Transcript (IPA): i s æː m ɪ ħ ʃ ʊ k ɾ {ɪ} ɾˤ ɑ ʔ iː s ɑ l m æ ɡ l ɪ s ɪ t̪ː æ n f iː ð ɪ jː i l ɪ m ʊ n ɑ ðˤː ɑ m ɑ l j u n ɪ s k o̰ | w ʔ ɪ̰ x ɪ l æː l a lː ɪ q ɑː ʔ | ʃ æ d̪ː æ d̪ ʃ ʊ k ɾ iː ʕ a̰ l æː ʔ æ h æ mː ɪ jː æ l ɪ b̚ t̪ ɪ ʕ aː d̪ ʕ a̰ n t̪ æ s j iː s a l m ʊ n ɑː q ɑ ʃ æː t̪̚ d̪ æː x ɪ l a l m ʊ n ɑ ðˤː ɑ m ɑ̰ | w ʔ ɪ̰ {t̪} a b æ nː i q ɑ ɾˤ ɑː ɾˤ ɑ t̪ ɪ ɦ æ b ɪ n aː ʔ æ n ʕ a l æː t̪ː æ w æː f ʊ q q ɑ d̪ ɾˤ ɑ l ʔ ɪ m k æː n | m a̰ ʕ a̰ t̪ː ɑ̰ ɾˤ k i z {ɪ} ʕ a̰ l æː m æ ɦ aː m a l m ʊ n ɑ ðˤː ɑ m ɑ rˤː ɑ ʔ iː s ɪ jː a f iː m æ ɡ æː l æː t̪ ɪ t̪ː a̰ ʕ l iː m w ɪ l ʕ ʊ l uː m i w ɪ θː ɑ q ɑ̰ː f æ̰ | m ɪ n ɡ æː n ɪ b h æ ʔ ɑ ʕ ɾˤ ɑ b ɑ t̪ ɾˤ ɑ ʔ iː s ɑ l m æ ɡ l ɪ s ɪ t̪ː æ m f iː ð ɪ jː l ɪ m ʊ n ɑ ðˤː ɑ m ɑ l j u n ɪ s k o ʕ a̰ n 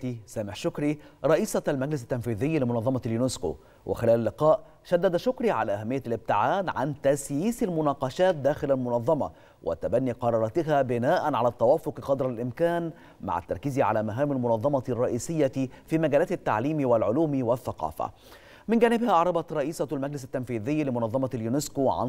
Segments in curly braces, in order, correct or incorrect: incorrect: i, correct, incorrect: i

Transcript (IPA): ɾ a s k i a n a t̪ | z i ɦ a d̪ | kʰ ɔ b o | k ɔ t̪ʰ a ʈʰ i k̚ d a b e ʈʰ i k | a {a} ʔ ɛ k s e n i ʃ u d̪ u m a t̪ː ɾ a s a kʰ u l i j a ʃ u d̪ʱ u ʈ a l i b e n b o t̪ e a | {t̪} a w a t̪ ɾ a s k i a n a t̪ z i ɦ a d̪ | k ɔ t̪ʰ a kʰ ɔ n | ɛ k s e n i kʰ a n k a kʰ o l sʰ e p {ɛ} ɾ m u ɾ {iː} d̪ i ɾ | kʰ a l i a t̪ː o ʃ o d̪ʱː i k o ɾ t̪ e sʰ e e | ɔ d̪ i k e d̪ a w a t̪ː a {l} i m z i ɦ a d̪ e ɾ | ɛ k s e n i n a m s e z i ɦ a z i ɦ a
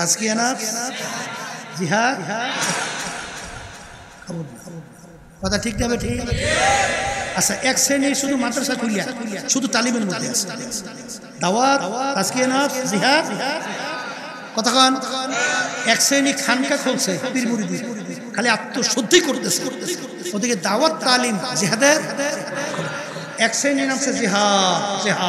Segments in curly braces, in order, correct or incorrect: correct, incorrect: d̪, incorrect: i, incorrect: i, correct

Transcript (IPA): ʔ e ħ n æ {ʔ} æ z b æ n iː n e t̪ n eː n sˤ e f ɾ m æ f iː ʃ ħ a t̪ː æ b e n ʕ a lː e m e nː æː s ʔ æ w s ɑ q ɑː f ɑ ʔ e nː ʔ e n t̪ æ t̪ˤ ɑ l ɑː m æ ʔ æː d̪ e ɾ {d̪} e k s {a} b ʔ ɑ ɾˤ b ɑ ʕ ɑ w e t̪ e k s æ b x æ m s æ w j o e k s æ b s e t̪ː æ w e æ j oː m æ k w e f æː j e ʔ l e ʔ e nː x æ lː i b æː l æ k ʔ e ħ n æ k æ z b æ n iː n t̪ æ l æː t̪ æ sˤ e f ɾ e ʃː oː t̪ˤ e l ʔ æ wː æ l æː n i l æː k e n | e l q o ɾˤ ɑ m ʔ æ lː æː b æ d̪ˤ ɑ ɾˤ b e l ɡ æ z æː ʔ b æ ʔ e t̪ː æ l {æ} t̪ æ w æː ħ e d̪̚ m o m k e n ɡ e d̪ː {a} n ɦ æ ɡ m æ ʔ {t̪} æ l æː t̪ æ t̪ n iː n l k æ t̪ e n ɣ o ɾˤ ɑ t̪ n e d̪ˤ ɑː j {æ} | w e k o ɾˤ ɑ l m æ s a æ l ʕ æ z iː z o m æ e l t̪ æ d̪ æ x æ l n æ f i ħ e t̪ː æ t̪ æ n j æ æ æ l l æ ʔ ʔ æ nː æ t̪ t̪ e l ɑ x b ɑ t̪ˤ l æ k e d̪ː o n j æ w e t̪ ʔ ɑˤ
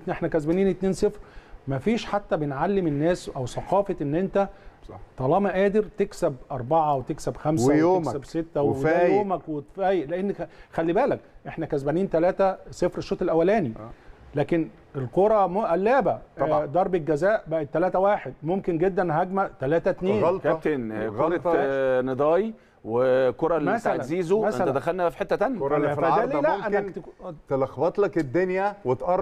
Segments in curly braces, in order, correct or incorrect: incorrect: k, incorrect: t̪, incorrect: æ, incorrect: æː, incorrect: æ, correct, incorrect: i

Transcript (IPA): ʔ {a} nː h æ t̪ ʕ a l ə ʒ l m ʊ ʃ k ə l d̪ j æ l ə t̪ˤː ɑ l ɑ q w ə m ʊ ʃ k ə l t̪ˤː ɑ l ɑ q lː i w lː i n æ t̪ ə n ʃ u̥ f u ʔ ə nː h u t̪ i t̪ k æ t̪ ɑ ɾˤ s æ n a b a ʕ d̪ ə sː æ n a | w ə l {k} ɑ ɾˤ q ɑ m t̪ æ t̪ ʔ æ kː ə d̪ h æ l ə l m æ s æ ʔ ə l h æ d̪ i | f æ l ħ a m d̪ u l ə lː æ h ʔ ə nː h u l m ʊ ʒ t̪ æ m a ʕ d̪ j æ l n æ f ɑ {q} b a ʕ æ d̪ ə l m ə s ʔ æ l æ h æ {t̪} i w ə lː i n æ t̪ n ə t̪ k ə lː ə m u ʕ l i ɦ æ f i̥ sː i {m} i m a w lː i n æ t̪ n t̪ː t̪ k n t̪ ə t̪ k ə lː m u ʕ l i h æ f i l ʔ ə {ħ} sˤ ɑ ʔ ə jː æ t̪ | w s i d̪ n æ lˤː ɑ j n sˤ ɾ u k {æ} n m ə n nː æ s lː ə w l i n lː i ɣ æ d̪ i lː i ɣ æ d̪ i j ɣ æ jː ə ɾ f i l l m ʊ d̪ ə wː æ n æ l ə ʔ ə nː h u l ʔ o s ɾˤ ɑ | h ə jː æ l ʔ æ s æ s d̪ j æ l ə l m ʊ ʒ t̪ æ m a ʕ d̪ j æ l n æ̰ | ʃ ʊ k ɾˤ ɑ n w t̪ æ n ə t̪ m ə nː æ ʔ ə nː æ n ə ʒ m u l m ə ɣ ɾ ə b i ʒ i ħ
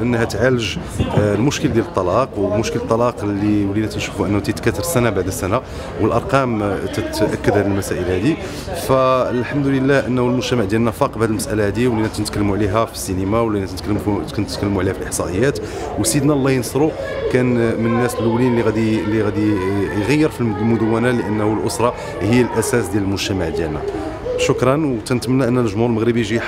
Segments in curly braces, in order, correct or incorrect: incorrect: ə, incorrect: ʔ, correct, incorrect: d̪, incorrect: n, correct, correct

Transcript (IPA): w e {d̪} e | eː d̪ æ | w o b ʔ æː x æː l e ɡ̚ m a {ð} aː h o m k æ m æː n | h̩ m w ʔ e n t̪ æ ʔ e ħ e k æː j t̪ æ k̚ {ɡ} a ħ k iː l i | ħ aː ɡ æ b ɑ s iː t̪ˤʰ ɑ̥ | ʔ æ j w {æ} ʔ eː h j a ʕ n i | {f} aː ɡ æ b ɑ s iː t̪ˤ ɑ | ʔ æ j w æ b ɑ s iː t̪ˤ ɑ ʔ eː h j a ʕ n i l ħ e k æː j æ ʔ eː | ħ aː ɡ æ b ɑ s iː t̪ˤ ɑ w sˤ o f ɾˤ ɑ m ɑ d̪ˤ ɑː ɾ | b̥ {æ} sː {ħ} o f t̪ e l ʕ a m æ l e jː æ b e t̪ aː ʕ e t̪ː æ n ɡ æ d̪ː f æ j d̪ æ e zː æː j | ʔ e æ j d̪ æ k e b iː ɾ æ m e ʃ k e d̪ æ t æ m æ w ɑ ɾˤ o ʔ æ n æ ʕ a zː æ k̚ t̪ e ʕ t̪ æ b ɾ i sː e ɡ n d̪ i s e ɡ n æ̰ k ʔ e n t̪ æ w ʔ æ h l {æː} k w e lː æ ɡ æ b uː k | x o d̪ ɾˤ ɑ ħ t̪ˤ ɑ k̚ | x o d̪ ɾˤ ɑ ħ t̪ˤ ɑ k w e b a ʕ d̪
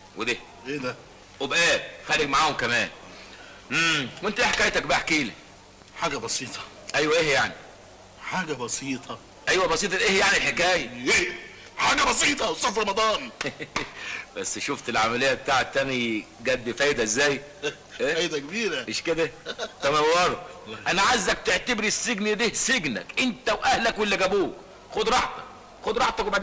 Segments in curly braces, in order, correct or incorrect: correct, incorrect: ʕ, incorrect: b, correct, incorrect: ħ, correct, incorrect: ʃ, incorrect: æ

